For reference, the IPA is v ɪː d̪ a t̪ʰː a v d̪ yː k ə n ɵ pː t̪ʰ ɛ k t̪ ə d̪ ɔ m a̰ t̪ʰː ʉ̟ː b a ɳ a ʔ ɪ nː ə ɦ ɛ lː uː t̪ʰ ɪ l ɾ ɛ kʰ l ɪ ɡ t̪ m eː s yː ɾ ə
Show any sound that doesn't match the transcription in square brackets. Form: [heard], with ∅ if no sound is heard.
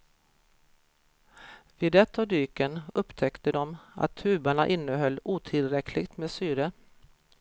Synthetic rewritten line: v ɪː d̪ [ɛ] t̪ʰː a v d̪ yː k ə n ɵ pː t̪ʰ ɛ k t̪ ə d̪ ɔ m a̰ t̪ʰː ʉ̟ː b a ɳ a ʔ ɪ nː ə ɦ [œ] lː uː t̪ʰ ɪ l ɾ ɛ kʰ l ɪ ɡ t̪ m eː s yː ɾ ə